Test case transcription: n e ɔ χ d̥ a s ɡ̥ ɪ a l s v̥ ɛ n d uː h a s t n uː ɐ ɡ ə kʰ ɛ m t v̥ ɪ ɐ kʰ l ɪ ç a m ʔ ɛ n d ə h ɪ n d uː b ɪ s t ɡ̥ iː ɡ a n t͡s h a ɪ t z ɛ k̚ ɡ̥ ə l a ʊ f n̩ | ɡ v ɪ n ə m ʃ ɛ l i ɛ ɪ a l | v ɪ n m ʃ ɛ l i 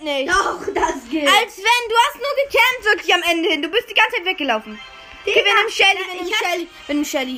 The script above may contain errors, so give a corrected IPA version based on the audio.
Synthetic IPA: n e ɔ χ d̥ a s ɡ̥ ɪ a l s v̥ ɛ n d uː h a s t n uː ɐ ɡ ə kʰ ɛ m t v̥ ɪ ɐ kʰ l ɪ ç a m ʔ ɛ n d ə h ɪ n d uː b ɪ s t d̥ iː ɡ a n t͡s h a ɪ t v ɛ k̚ ɡ̥ ə l a ʊ f n̩ | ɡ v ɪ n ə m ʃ ɛ l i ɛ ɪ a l | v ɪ n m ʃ ɛ l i